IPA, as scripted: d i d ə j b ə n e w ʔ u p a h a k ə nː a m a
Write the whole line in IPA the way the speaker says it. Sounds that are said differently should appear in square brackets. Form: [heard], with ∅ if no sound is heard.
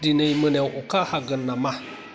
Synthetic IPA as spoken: d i [n] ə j [m] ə n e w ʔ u [k] a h a [ɡ] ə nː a m a